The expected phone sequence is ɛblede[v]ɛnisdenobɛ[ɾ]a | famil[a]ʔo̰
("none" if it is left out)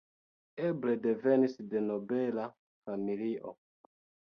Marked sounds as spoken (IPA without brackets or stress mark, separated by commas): v, l, i